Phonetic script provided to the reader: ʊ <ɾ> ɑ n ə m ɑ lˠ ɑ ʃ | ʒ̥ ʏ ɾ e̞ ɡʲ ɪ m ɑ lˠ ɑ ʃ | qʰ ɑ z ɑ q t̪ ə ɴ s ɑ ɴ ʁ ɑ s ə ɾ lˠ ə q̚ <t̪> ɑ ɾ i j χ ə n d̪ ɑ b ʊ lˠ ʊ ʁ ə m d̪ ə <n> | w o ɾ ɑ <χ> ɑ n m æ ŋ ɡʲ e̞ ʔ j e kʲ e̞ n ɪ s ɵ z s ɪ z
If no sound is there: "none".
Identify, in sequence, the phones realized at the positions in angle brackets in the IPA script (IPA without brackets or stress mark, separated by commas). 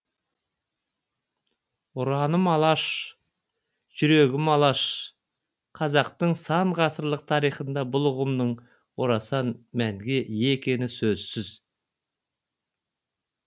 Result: ɾ, t̪ʰ, ɴ, s